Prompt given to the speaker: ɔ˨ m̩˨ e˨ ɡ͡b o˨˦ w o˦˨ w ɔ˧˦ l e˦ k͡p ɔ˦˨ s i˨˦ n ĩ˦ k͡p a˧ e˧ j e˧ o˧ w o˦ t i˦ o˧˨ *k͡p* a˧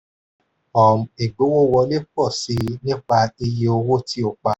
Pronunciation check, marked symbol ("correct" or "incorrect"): correct